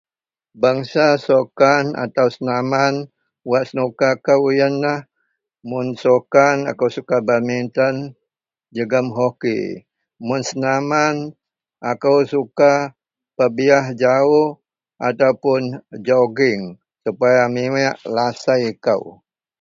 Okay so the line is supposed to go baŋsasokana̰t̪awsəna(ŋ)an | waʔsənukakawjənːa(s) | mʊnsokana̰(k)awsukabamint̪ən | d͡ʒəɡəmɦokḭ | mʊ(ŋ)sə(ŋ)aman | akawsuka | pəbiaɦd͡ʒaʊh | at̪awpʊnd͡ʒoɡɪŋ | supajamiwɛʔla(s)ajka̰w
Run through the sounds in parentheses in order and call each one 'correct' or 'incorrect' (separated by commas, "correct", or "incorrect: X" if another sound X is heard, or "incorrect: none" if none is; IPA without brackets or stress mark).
incorrect: m, incorrect: h, correct, incorrect: n, incorrect: n, correct